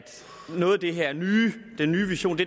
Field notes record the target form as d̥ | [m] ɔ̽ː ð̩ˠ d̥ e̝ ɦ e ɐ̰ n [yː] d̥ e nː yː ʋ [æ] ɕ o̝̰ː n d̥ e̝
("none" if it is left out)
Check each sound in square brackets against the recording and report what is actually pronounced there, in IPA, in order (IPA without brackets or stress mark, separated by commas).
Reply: n, yː, i